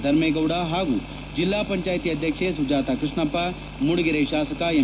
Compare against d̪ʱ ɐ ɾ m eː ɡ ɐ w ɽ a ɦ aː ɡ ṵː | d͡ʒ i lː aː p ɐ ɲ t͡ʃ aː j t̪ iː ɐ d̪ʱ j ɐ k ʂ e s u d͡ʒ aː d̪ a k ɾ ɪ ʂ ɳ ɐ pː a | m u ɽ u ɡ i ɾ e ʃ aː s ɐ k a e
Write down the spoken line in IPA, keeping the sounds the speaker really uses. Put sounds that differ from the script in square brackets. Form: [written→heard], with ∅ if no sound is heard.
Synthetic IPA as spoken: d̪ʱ ɐ ɾ m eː ɡ ɐ w ɽ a ɦ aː ɡ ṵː | d͡ʒ i lː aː p ɐ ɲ t͡ʃ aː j t̪ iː ɐ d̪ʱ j ɐ k ʂ e s u d͡ʒ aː [d̪→t̪] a k ɾ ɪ ʂ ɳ ɐ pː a | m u ɽ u ɡ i ɾ e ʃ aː s ɐ k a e